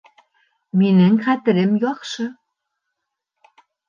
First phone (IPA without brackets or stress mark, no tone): m